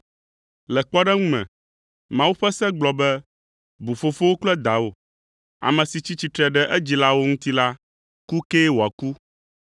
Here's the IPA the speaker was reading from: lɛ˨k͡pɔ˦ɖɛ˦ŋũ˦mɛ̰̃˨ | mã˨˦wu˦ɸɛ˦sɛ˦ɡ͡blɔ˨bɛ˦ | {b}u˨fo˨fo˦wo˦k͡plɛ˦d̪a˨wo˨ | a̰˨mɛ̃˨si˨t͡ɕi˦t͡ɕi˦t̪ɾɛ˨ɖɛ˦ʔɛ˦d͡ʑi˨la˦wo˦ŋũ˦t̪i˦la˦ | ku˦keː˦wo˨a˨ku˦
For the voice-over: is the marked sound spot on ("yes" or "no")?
yes